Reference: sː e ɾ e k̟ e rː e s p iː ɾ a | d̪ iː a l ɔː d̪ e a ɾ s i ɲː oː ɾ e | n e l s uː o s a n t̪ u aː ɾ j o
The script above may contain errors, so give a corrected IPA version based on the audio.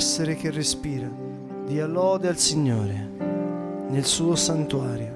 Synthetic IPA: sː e ɾ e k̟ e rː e s p iː ɾ a | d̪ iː a l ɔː d̪ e a l s i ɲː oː ɾ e | n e l s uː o s a n t̪ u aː ɾ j o